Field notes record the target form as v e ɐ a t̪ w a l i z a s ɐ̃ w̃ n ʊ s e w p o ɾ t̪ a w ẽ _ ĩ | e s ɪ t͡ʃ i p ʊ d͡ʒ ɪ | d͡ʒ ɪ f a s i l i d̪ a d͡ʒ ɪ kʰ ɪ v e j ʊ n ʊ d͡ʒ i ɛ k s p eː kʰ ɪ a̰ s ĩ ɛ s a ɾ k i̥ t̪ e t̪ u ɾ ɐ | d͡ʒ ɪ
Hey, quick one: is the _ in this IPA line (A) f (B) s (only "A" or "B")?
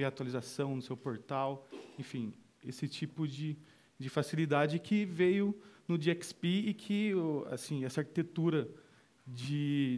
A